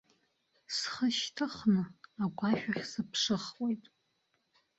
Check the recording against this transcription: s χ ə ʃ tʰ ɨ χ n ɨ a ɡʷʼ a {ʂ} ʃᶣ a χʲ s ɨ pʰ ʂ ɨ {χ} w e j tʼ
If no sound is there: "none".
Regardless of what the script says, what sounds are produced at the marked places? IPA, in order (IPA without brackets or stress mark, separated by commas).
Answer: none, χ